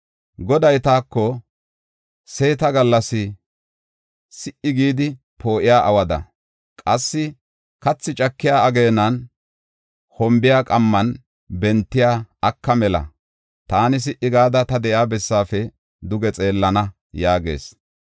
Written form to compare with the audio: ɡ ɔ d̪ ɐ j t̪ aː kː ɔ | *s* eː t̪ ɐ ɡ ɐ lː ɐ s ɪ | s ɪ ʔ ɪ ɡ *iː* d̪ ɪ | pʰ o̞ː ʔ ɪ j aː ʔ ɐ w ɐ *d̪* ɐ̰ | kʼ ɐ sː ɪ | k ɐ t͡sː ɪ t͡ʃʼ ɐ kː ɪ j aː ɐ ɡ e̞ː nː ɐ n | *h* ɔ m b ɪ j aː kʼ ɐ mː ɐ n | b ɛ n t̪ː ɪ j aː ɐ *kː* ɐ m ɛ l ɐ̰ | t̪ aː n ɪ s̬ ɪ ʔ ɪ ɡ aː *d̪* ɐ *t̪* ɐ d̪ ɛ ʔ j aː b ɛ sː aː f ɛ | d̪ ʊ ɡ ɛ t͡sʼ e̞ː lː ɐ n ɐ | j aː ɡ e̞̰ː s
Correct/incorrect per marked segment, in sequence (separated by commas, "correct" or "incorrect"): correct, correct, correct, correct, correct, correct, correct